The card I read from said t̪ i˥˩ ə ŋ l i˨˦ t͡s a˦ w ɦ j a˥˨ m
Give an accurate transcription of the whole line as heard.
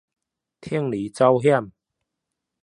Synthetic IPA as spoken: t̪ʰ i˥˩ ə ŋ l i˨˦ t͡s a˦ w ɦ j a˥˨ m